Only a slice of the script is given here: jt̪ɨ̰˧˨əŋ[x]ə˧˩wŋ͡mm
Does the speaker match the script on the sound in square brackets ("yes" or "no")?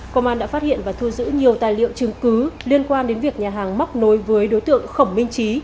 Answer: yes